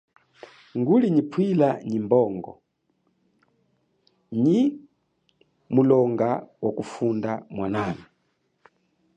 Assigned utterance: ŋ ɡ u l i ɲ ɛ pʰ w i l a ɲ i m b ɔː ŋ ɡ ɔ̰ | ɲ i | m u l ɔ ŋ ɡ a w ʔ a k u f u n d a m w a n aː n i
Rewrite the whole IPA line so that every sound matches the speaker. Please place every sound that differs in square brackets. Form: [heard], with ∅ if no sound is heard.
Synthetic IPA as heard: ŋ ɡ u l i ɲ [i] pʰ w i l a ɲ i m b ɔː ŋ ɡ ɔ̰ | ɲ i | m u l ɔ ŋ ɡ a w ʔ a k u f u n d a m w a n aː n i